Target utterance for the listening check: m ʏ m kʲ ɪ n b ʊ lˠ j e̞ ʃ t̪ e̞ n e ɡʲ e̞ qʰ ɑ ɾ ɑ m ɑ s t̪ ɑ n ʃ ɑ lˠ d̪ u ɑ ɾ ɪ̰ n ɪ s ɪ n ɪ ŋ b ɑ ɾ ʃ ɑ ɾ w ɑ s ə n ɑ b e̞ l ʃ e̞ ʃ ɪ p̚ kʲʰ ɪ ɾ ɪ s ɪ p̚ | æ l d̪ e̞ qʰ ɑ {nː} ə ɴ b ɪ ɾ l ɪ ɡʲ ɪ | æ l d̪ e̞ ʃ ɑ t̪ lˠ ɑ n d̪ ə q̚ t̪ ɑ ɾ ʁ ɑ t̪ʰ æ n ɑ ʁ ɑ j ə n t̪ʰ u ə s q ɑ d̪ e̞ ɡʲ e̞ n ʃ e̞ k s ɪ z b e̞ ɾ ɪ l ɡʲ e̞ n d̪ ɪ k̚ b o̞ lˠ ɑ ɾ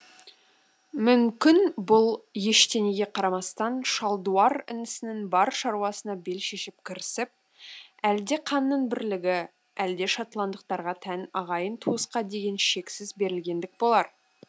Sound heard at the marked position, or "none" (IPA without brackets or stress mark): nː